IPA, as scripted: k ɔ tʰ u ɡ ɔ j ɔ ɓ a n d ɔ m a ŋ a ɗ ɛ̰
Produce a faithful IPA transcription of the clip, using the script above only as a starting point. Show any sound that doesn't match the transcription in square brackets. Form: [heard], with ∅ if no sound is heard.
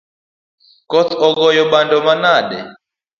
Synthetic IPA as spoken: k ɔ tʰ [ɔ] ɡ ɔ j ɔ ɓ a n d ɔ m a [n] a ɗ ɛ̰